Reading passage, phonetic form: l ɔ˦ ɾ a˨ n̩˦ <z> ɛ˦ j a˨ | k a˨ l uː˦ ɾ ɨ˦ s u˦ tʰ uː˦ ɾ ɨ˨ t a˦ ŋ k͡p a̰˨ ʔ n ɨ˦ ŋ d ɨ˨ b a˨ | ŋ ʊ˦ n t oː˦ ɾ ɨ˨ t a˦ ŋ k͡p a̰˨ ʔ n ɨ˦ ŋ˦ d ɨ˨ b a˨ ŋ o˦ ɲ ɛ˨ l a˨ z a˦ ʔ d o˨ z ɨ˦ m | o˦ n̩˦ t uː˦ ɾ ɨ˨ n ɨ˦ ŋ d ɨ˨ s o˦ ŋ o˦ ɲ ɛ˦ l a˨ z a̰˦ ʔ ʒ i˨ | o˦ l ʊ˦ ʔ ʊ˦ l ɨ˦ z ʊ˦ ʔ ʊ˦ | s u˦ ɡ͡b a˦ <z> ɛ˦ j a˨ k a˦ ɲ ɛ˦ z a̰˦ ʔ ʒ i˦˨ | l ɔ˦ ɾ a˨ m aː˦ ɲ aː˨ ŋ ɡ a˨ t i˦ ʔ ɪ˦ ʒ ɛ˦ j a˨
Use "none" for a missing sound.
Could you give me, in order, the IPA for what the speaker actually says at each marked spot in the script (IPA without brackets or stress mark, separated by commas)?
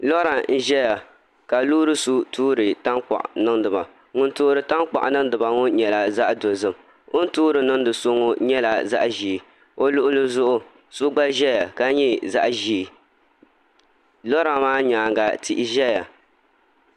ʒ, ʒ